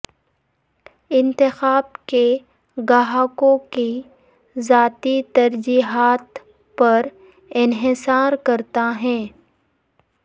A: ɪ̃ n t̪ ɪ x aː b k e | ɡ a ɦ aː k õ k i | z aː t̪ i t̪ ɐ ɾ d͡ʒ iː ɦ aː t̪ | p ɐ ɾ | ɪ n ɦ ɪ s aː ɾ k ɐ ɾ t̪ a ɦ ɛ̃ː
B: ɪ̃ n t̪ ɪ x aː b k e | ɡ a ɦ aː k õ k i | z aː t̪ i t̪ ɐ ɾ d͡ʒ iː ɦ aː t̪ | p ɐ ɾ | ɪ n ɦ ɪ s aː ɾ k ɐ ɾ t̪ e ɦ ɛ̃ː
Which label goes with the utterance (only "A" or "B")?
A